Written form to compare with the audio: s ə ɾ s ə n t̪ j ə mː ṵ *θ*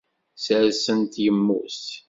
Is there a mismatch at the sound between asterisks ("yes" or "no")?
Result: yes